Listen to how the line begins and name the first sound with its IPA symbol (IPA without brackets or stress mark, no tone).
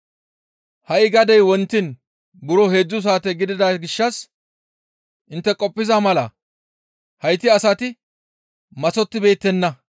h